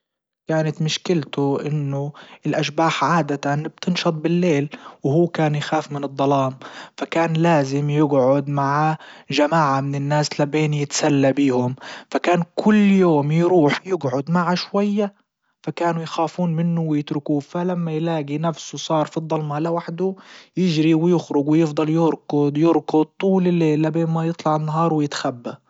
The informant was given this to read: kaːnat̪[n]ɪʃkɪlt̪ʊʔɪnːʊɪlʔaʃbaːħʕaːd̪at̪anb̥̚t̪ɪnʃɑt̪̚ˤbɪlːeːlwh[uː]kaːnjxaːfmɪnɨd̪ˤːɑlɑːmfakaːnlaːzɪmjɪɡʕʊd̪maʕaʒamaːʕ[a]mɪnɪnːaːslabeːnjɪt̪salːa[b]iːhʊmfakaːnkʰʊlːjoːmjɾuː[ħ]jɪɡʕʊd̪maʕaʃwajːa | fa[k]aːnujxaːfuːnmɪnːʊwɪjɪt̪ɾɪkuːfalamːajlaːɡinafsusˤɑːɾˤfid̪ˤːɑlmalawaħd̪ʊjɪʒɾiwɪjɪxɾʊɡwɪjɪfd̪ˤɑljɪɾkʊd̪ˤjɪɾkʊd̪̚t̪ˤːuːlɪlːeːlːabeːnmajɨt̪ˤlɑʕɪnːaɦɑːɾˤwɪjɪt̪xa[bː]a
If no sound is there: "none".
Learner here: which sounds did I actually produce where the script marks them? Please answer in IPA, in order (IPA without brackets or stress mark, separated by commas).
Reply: m, uː, a, b, ħ, k, bː